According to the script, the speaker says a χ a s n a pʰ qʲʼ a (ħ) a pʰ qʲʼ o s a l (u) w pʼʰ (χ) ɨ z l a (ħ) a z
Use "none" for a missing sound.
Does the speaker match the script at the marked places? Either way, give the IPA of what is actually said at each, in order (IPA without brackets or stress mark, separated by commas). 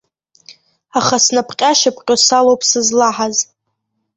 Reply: ʃ, o, s, ħ